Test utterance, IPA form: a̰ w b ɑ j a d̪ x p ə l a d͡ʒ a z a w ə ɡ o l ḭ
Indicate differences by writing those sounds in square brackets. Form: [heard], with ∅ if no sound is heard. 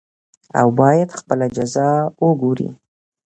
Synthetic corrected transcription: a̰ w b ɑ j a d̪ x p ə l a d͡ʒ a z [ɑ] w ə ɡ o [ɾ] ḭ